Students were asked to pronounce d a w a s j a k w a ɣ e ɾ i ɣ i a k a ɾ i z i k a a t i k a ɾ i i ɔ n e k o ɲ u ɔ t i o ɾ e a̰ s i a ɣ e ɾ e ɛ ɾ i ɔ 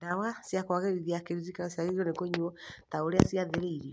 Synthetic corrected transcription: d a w a s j a k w a ɣ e ɾ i ð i a k e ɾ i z i k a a s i a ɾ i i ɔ n e k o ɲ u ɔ t a o ɾ e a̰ s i a ð e ɾ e i ɾ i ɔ